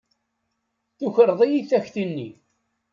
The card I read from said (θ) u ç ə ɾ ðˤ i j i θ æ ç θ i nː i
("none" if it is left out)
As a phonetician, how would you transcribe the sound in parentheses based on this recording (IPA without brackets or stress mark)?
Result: θ